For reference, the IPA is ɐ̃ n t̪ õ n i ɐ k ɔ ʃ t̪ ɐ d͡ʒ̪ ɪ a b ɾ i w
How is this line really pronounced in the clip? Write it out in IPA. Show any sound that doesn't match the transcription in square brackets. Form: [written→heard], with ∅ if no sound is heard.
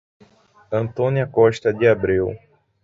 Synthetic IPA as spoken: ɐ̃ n t̪ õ n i ɐ k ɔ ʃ t̪ ɐ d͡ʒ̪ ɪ a b ɾ i w

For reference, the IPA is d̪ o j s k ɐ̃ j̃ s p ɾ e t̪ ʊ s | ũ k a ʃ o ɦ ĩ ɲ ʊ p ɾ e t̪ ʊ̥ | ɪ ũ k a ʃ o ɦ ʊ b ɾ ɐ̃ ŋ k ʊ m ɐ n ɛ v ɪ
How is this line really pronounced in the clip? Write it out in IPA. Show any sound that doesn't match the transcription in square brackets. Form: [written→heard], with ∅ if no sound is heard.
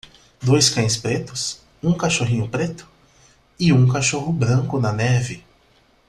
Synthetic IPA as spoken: d̪ o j s k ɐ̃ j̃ s p ɾ e t̪ ʊ s | ũ k a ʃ o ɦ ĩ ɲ ʊ p ɾ e t̪ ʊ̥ | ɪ ũ k a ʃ o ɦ ʊ b ɾ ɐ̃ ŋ k ʊ [m→n] ɐ n ɛ v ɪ

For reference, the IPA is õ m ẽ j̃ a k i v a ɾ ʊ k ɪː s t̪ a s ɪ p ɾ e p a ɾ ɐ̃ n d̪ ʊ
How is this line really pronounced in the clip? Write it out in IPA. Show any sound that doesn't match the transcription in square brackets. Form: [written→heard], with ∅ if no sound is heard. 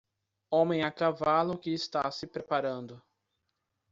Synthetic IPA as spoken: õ m ẽ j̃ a k [i→a] v a [ɾ→l] ʊ k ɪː s t̪ a s ɪ p ɾ e p a ɾ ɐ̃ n d̪ ʊ

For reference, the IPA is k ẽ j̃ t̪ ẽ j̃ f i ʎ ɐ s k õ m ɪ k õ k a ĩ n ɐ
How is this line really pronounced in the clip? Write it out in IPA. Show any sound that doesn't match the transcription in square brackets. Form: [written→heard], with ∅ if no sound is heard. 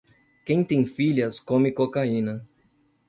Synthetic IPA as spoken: k ẽ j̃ t̪ ẽ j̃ f i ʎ ɐ s k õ m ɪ k [õ→o] k a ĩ n ɐ

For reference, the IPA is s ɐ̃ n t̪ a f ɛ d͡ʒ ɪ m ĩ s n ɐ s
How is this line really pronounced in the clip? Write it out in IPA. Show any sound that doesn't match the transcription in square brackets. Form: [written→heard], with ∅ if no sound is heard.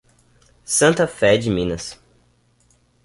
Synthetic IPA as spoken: s ɐ̃ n t̪ [a→ɐ] f ɛ d͡ʒ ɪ m ĩ [s→∅] n ɐ s

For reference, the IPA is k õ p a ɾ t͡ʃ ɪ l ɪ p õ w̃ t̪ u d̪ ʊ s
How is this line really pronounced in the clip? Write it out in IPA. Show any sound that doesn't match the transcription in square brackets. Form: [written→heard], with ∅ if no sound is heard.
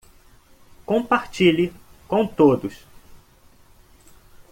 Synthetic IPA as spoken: k õ p a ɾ t͡ʃ [ɪ→i] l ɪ [p→k] õ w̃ t̪ [u→o] d̪ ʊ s

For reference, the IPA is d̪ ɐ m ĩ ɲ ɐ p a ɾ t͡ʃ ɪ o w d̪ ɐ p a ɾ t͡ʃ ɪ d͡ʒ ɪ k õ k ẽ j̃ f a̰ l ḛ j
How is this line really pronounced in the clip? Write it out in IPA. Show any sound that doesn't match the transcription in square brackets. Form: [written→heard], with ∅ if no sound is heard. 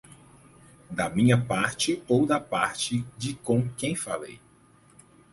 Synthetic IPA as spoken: d̪ ɐ m ĩ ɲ ɐ p a ɾ t͡ʃ ɪ o w d̪ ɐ p a ɾ t͡ʃ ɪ d͡ʒ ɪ k õ k ẽ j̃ f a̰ l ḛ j

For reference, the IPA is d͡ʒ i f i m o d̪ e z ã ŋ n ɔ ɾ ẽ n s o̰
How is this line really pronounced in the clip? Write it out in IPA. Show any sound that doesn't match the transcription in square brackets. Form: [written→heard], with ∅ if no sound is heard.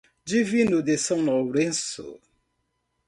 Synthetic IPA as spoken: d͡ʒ i [f→v] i [m→n] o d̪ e [z→s] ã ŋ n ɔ ɾ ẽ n s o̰

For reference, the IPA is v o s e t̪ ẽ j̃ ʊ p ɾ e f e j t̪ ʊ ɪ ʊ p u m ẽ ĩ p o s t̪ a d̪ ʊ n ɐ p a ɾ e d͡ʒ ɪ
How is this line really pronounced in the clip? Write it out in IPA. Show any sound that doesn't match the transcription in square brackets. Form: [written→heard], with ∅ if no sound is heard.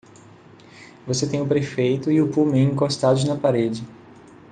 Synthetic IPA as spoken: v o s e t̪ ẽ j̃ ʊ p ɾ e f e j t̪ ʊ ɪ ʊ p u m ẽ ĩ [p→k] o s t̪ a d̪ ʊ n ɐ p a ɾ e d͡ʒ ɪ

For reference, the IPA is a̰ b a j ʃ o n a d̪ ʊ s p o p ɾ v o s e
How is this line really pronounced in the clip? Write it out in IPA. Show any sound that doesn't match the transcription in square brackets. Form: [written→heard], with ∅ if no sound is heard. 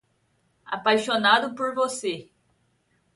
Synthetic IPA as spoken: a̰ [b→p] a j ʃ o n a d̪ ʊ [s→∅] p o [p→∅] ɾ v o s e

